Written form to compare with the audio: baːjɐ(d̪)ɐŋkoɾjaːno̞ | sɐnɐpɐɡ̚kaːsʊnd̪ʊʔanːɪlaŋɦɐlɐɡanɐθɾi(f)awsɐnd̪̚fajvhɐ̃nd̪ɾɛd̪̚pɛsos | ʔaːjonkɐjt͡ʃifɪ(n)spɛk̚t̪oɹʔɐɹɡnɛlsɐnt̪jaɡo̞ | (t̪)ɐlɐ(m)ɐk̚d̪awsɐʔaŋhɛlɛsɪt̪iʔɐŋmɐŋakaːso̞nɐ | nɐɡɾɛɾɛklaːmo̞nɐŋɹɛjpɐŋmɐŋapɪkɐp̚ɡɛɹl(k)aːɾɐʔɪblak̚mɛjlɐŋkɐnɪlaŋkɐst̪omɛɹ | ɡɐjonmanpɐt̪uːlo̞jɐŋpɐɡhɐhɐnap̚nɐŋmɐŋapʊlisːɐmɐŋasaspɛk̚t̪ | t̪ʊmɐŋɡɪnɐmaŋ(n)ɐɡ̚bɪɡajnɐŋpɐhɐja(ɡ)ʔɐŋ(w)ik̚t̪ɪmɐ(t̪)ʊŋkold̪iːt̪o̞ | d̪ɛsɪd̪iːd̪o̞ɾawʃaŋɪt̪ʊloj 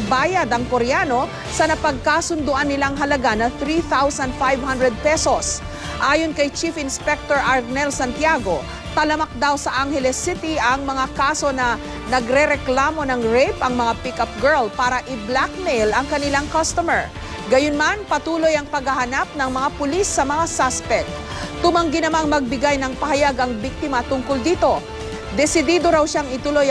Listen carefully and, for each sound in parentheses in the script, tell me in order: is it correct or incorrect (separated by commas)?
correct, incorrect, correct, correct, correct, incorrect, incorrect, correct, incorrect, correct